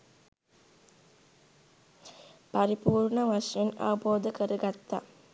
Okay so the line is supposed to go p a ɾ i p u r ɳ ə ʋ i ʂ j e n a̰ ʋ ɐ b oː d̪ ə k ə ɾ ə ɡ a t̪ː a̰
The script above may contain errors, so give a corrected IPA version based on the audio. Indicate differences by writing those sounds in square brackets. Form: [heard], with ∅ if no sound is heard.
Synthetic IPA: p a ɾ i p [uː] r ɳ ə ʋ [a] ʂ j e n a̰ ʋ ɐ b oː d̪ ə k ə ɾ ə ɡ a t̪ː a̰